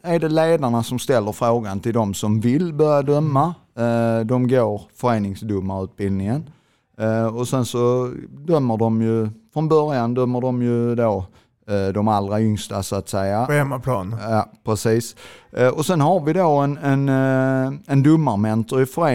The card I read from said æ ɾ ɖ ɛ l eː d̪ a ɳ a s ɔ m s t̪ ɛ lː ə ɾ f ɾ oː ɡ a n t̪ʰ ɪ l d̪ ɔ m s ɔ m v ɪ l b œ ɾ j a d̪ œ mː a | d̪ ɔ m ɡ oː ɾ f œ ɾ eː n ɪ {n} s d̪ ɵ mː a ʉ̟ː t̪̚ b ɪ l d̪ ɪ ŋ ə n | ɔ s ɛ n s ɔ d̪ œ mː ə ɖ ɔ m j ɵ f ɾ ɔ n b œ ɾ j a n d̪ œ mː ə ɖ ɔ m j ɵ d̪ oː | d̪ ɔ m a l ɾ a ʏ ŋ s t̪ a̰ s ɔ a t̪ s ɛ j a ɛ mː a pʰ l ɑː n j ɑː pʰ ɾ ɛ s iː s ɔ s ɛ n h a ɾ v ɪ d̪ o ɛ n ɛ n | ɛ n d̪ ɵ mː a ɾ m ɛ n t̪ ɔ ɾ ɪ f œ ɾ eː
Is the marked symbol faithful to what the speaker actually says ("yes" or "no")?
no